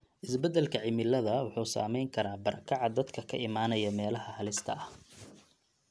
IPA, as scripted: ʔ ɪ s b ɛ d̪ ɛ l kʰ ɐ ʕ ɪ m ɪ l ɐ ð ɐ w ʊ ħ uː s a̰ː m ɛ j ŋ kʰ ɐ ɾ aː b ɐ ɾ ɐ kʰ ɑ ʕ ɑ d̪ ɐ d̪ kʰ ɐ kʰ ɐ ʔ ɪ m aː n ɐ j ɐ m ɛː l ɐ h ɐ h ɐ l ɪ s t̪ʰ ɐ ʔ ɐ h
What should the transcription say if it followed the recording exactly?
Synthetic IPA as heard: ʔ ɪ s b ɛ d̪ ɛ l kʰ ɐ ʕ ɪ m ɪ l ɐ ð ɐ w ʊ ħ uː s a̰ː m ɛ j ŋ kʰ ɐ ɾ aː b ɐ ɾ ɐ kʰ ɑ ʕ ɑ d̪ ɐ d̪ kʰ ɐ kʰ ɐ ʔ ɪ m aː n ɐ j ɐ m ɛː l ɐ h ɐ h ɐ l ɪ s t̪ʰ ɐ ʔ ɐ h